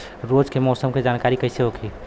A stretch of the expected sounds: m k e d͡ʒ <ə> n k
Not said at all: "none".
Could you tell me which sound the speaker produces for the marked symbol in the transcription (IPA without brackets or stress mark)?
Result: a